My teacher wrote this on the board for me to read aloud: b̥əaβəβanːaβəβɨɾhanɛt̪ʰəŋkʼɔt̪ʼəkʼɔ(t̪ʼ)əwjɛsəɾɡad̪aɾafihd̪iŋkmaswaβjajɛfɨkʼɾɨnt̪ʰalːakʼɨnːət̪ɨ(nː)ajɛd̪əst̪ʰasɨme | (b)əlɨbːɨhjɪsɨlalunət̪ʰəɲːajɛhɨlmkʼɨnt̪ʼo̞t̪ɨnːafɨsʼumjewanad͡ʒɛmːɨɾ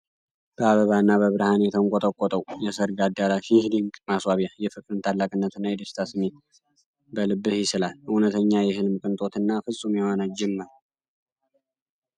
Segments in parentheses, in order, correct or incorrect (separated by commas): correct, correct, correct